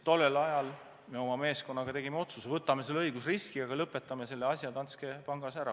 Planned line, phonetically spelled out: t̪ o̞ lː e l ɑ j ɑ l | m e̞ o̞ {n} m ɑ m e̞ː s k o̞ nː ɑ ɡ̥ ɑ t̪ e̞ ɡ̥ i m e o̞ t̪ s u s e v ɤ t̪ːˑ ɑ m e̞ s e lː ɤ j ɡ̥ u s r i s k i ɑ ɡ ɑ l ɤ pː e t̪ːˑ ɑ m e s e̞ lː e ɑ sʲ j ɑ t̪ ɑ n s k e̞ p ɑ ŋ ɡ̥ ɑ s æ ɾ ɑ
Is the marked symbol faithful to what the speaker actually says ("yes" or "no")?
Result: no